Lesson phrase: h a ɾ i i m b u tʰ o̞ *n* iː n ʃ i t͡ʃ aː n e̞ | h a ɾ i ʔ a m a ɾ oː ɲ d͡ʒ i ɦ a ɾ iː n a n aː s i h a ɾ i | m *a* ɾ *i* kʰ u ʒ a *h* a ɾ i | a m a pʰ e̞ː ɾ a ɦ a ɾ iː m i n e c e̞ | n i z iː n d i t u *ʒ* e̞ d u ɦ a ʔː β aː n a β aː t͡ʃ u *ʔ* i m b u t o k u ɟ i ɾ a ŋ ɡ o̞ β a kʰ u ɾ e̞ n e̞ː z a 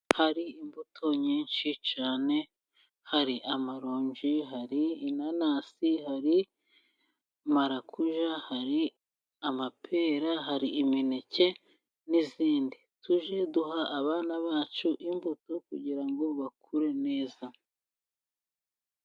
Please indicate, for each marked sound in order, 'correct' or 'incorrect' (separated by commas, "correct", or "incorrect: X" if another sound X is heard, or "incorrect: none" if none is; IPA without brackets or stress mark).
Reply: incorrect: ɲ, correct, incorrect: a, correct, correct, correct